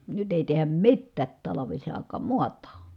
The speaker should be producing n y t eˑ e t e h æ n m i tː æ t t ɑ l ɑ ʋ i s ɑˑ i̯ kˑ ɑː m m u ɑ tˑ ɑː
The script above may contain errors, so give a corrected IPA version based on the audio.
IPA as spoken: n y t eˑ i t e h æ m m i tː æː t t ɑ l ɑ ʋ i s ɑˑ i̯ kˑ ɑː m m u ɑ tˑ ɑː